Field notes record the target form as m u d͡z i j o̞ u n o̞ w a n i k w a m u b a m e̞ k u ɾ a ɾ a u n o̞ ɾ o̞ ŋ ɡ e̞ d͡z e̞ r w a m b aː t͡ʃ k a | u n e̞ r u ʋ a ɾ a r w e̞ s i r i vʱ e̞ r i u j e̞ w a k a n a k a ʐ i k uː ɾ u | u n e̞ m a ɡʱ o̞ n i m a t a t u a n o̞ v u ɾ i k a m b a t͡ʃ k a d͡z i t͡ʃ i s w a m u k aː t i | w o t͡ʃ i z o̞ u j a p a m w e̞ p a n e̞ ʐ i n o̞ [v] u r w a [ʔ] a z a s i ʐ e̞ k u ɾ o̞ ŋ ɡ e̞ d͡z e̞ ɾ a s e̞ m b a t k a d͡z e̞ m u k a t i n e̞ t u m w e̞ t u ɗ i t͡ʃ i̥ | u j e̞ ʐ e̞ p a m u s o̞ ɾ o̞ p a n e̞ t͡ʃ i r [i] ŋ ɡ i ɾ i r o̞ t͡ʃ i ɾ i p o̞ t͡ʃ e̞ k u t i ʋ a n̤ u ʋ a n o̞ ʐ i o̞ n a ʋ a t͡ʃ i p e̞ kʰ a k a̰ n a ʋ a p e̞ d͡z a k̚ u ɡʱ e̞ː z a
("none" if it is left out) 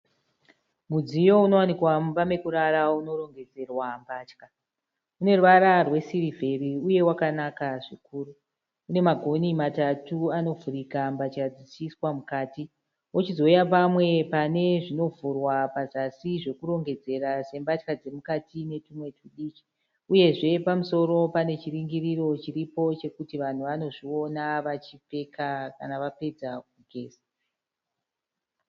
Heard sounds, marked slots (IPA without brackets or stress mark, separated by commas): v, p, i